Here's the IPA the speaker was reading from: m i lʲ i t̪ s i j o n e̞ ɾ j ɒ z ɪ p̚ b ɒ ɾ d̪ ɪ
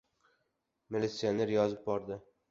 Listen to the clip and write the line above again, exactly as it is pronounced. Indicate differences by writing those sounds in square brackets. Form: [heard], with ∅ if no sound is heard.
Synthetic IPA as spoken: m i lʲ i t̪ s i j o n e̞ ɾ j ɒ z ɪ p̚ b ɒ ɾ d̪ ɪ